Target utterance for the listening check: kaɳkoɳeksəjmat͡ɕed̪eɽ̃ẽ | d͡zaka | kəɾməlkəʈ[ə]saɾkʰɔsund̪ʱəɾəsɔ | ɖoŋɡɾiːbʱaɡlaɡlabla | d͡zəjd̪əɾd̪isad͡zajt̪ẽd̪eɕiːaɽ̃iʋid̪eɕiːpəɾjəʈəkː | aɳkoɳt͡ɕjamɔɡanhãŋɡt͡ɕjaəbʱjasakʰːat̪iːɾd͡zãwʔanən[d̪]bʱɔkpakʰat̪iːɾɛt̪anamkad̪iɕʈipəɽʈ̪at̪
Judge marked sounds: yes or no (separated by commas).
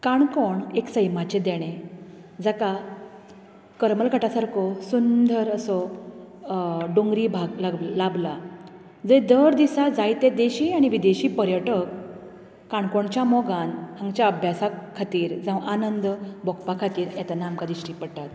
no, yes